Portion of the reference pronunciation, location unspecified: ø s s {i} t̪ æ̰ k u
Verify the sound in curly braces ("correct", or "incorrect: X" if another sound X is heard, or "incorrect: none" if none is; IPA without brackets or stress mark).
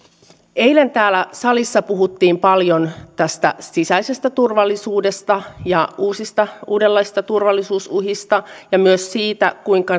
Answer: incorrect: iː